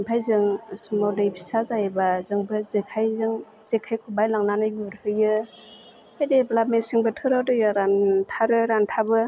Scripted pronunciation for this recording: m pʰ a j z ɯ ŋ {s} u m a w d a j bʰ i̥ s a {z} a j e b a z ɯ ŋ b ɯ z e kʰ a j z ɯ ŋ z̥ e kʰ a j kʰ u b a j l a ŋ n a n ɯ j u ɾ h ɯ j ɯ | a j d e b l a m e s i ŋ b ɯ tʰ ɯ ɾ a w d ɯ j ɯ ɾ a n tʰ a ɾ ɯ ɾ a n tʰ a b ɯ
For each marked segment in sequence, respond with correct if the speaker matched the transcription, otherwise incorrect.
correct, correct

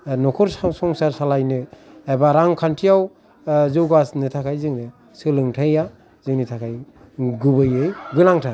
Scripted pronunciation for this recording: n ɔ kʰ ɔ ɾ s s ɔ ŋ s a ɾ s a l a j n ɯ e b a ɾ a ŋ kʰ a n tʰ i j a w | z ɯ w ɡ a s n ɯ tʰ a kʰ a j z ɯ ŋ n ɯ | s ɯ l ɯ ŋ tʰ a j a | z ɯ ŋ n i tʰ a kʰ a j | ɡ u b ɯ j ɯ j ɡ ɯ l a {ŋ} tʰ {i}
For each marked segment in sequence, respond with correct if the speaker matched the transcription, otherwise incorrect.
correct, incorrect: a

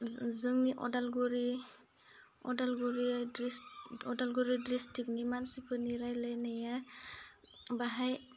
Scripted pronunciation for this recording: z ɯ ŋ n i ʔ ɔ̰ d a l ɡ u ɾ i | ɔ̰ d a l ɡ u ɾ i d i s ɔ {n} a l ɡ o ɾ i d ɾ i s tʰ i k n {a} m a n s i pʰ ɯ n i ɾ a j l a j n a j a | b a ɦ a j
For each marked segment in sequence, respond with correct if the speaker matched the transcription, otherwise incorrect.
incorrect: d, incorrect: i

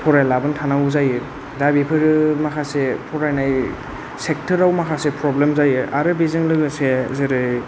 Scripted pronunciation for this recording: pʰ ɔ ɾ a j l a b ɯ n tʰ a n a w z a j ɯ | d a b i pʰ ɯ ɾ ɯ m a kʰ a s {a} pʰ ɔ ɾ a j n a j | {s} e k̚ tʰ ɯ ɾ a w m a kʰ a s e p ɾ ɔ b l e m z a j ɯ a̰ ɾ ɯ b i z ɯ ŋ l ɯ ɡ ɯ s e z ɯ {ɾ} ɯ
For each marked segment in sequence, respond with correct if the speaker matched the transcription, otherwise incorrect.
incorrect: e, correct, correct

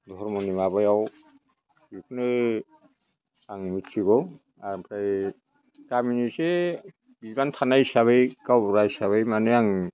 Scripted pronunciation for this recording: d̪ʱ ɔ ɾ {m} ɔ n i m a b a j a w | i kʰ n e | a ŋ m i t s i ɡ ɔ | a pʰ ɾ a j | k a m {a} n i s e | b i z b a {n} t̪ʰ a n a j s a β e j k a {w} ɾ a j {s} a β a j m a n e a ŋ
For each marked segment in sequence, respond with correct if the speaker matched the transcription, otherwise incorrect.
correct, incorrect: i, correct, correct, correct

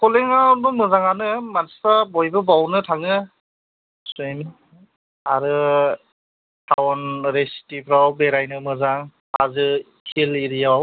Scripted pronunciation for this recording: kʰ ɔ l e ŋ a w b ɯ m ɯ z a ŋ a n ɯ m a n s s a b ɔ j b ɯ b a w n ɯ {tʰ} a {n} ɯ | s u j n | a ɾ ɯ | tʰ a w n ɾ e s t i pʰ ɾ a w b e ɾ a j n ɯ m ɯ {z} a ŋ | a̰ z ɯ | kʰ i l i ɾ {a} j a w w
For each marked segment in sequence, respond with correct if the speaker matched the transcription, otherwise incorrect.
correct, incorrect: ŋ, correct, incorrect: i

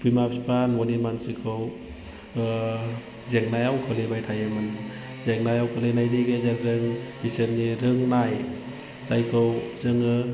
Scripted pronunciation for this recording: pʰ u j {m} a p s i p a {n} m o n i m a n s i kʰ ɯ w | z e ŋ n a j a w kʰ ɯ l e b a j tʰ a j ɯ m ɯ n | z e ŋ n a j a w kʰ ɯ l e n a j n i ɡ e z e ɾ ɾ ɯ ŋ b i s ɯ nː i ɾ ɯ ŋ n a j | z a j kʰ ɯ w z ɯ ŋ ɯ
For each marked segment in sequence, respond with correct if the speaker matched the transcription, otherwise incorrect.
correct, correct

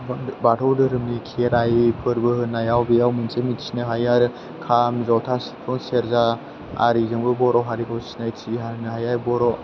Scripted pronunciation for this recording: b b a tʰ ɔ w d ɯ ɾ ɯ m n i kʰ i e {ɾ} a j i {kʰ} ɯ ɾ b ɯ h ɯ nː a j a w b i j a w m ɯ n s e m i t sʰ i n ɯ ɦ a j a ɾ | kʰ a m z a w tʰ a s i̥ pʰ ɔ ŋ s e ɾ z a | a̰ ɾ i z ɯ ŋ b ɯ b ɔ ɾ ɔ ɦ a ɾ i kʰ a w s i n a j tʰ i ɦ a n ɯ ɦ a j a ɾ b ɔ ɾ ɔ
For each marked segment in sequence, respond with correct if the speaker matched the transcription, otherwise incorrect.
correct, incorrect: pʰ

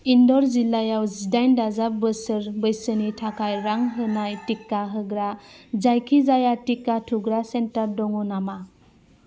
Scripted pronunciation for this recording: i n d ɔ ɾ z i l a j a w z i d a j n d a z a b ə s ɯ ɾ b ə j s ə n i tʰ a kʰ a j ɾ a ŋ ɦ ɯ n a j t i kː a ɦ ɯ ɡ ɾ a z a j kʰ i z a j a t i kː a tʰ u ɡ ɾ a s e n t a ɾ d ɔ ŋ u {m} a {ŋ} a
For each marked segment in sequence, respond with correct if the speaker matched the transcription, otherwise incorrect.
incorrect: n, incorrect: m

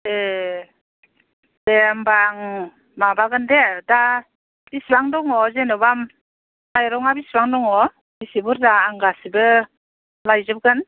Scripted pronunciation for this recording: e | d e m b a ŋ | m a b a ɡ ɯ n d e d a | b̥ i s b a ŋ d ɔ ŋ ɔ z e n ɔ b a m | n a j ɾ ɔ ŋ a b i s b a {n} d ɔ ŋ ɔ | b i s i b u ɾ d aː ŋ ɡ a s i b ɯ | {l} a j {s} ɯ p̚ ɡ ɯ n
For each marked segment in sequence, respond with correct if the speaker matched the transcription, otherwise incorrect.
incorrect: ŋ, correct, incorrect: z

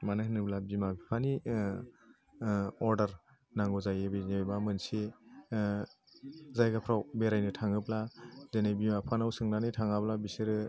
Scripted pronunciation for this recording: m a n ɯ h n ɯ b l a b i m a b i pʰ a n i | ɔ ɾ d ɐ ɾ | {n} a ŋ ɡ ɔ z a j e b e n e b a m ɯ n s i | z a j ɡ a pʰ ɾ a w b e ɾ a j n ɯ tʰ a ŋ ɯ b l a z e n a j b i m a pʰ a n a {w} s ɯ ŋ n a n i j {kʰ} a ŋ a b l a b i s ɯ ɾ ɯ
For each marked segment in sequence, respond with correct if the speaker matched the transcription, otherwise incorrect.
correct, correct, incorrect: tʰ

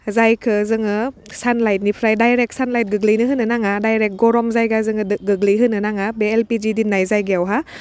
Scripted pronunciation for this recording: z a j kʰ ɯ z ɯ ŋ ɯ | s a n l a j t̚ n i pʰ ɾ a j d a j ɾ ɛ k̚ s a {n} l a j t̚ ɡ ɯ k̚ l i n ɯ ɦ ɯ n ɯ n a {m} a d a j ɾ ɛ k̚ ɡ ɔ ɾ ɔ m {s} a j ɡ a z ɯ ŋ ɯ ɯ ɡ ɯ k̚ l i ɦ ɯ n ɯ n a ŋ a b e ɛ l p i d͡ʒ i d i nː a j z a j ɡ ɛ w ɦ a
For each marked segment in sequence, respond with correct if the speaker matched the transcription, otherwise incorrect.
correct, incorrect: ŋ, incorrect: z

